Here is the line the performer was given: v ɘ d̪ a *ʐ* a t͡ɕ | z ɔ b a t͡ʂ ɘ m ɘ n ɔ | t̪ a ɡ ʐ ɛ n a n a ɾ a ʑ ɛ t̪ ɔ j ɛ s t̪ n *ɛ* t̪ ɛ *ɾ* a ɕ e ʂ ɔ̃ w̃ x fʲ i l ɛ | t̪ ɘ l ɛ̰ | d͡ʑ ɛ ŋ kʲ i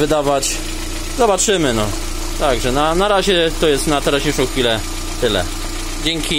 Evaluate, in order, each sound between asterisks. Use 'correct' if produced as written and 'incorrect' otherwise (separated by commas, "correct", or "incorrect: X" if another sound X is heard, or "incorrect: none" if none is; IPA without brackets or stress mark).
incorrect: v, incorrect: a, correct